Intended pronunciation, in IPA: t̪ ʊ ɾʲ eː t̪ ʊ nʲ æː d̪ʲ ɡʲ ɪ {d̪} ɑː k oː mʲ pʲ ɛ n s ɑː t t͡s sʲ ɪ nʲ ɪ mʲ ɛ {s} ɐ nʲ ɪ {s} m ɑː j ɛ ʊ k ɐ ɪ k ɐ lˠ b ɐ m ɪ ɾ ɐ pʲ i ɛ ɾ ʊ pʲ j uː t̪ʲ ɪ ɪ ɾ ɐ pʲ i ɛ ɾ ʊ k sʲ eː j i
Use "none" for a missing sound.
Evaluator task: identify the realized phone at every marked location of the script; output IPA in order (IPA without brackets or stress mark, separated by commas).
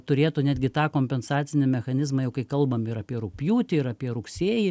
t̪, x, z